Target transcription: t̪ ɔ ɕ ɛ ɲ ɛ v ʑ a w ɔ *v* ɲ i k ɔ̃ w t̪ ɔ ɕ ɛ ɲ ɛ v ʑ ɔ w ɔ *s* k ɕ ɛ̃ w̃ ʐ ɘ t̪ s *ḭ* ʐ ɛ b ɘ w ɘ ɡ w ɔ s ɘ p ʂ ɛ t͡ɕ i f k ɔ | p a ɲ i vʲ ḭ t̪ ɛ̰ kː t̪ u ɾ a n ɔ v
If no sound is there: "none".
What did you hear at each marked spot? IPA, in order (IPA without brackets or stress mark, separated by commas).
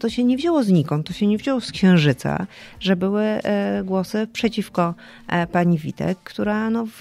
z, s, a̰